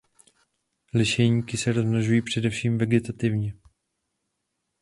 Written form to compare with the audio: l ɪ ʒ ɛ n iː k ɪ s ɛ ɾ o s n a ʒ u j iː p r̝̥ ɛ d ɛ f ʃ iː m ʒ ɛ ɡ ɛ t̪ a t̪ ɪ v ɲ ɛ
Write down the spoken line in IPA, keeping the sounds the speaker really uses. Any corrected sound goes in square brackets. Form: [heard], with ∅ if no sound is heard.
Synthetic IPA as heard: l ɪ [ʃ] ɛ [ɲ] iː k ɪ s ɛ ɾ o [z] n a ʒ u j iː p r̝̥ ɛ d ɛ f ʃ iː m [v] ɛ ɡ ɛ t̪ a t̪ ɪ v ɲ ɛ

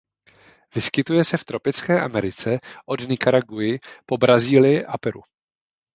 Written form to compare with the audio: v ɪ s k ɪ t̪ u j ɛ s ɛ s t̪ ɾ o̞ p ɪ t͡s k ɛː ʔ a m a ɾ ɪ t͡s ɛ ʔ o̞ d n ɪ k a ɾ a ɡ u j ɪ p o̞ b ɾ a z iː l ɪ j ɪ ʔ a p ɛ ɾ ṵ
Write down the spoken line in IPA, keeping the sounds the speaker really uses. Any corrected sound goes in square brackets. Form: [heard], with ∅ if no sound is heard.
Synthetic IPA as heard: v ɪ s k ɪ t̪ u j ɛ s ɛ [f] t̪ ɾ o̞ p ɪ t͡s k ɛː ʔ a m [ɛ] ɾ ɪ t͡s ɛ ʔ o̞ d n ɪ k a ɾ a ɡ u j ɪ p o̞ b ɾ a z iː l ɪ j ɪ ʔ a p ɛ ɾ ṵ

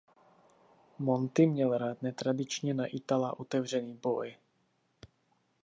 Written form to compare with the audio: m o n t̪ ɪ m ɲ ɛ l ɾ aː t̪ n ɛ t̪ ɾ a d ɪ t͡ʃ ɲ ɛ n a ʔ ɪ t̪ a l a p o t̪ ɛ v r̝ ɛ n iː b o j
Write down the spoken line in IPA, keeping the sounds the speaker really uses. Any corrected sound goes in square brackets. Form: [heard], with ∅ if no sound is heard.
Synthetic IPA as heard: m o n t̪ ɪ m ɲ ɛ l ɾ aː t̪ n ɛ t̪ ɾ a d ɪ t͡ʃ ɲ ɛ n a ʔ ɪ t̪ a l a [ʔ] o t̪ ɛ v r̝ ɛ n iː b o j

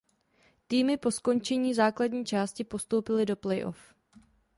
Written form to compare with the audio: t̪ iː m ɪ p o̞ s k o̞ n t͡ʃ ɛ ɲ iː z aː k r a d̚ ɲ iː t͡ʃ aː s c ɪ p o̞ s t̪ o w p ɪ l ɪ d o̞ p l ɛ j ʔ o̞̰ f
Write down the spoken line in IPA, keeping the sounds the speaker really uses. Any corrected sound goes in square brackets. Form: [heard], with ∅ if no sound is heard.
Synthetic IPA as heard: t̪ iː m ɪ p o̞ s k o̞ n t͡ʃ ɛ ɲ iː z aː k [l] a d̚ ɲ iː t͡ʃ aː s c ɪ p o̞ s t̪ o w p ɪ l ɪ d o̞ p l ɛ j ʔ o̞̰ f

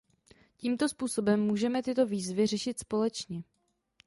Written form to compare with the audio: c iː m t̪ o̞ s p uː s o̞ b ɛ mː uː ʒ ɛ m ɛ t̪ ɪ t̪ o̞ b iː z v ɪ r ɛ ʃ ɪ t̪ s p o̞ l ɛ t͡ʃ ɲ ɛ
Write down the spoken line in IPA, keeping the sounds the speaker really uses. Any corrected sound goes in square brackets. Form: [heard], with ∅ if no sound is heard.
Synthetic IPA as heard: c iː m t̪ o̞ s p uː s o̞ b ɛ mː uː ʒ ɛ m ɛ t̪ ɪ t̪ o̞ [v] iː z v ɪ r ɛ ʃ ɪ t̪ s p o̞ l ɛ t͡ʃ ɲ ɛ

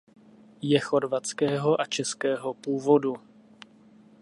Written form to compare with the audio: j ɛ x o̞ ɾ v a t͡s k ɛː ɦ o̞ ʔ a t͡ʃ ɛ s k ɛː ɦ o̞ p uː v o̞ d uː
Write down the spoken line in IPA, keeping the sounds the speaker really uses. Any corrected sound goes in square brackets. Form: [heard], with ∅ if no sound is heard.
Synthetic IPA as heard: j ɛ x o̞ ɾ v a t͡s k ɛː ɦ o̞ ʔ a t͡ʃ ɛ s k ɛː ɦ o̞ p uː v o̞ d [u]

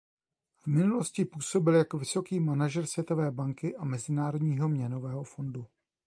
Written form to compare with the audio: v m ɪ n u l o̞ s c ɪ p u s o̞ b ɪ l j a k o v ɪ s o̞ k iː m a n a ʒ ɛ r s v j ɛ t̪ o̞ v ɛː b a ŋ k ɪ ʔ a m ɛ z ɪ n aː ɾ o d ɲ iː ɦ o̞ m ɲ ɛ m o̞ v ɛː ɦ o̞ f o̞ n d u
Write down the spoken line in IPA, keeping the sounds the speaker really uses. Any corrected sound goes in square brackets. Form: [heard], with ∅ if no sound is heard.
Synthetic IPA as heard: v m ɪ n u l o̞ s c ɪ p [uː] s o̞ b ɪ l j a k o v ɪ s o̞ k iː m a n a ʒ ɛ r s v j ɛ t̪ o̞ v ɛː b a ŋ k ɪ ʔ a m ɛ z ɪ n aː ɾ o d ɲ iː ɦ o̞ m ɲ ɛ [n] o̞ v ɛː ɦ o̞ f o̞ n d u

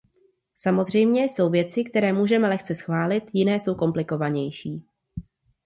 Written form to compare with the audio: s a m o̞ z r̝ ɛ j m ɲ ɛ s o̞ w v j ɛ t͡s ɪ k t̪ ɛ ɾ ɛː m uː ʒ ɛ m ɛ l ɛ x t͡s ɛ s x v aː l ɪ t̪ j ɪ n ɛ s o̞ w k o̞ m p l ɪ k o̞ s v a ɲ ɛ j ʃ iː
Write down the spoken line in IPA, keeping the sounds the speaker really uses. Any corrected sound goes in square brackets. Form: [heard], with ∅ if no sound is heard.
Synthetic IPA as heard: s a m o̞ z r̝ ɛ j m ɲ ɛ s o̞ w v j ɛ t͡s ɪ k t̪ ɛ ɾ ɛː m uː ʒ ɛ m ɛ l ɛ x t͡s ɛ s x v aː l ɪ t̪ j ɪ n [ɛː] s o̞ w k o̞ m p l ɪ k o̞ [∅] v a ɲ ɛ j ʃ iː

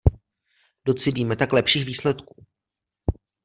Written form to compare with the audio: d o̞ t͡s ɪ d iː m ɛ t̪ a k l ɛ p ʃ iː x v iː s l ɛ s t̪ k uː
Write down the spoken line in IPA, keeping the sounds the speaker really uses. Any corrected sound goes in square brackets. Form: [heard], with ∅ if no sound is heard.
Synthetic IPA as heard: d o̞ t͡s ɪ d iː m ɛ t̪ a k l ɛ p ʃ iː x v iː s l ɛ [∅] t̪ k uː

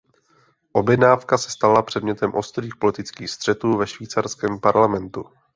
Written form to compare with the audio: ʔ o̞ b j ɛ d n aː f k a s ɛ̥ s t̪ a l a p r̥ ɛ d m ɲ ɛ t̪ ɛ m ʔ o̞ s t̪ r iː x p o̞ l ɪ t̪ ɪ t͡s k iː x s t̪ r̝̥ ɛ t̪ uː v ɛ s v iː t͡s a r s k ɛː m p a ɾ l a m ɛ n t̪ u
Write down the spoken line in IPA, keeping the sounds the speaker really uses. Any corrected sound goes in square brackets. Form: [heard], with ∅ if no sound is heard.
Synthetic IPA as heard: ʔ o̞ b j ɛ d n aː f k a s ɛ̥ s t̪ a l a p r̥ ɛ d m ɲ ɛ t̪ ɛ m ʔ o̞ s t̪ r iː x p o̞ l ɪ t̪ ɪ t͡s k iː x s t̪ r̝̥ ɛ t̪ uː v ɛ [ʃ] v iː t͡s a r s k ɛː m p a ɾ l a m ɛ n t̪ u

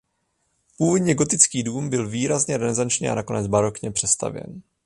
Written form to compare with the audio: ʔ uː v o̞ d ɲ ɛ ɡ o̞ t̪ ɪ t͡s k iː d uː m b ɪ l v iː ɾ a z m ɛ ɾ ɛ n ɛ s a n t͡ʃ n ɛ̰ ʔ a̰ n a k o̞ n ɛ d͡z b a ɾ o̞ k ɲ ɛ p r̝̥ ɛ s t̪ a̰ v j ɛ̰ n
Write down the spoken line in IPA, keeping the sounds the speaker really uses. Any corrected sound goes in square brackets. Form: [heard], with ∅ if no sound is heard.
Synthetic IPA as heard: [p] uː v o̞ d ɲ ɛ ɡ o̞ t̪ ɪ t͡s k iː d uː m b ɪ l v iː ɾ a z [ɲ] ɛ ɾ ɛ n ɛ [z] a n t͡ʃ [ɲ] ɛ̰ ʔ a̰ n a k o̞ n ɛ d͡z b a ɾ o̞ k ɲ ɛ p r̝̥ ɛ s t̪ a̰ v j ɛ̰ n

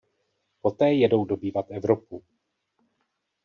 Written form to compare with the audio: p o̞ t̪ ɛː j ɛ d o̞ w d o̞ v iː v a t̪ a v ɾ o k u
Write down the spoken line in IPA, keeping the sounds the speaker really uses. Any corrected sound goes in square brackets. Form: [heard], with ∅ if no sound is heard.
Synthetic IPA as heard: p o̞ t̪ ɛː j ɛ d o̞ w d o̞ [b] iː v a t̪ [ɛ] v ɾ o [p] u

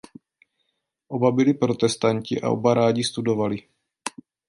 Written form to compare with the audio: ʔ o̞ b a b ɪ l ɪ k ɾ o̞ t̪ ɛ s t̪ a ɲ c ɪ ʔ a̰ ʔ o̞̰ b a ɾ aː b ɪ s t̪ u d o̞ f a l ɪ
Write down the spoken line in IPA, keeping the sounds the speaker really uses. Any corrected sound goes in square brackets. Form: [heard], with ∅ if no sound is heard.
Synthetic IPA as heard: ʔ o̞ b a b ɪ l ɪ [p] ɾ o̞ t̪ ɛ s t̪ a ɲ c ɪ ʔ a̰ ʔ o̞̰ b a ɾ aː [ɟ] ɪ s t̪ u d o̞ [v] a l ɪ

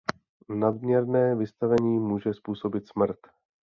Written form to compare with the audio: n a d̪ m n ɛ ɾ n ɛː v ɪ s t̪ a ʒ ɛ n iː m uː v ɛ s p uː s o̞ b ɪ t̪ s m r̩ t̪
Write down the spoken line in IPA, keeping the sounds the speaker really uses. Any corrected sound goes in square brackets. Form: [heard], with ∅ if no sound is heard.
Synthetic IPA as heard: n a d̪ m [ɲ] ɛ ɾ n ɛː v ɪ s t̪ a [v] ɛ [ɲ] iː m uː [ʒ] ɛ s p uː s o̞ b ɪ t̪ s m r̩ t̪

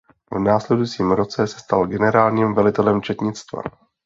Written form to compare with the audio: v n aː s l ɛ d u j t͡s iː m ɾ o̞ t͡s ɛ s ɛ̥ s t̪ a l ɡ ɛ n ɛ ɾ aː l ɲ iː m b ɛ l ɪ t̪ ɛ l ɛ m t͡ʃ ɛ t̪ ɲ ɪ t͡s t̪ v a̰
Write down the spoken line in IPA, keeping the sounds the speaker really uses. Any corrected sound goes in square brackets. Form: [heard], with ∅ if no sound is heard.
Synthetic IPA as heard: v n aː s l ɛ d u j t͡s iː m ɾ o̞ t͡s ɛ s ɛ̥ s t̪ a l ɡ ɛ n ɛ ɾ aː l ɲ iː m [v] ɛ l ɪ t̪ ɛ l ɛ m t͡ʃ ɛ t̪ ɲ ɪ t͡s t̪ v a̰

